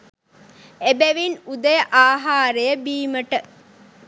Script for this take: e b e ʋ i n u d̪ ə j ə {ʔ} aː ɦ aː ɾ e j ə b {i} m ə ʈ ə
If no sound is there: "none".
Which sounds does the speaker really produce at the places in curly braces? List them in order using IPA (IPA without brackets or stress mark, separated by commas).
ʔ, iː